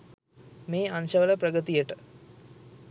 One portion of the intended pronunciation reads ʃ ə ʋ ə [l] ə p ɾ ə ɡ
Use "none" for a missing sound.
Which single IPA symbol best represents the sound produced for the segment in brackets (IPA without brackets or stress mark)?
l